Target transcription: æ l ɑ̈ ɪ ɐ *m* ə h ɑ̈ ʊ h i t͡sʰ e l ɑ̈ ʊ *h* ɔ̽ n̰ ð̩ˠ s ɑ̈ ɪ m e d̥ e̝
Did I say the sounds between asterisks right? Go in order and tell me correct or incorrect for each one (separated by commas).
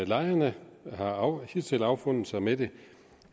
incorrect, incorrect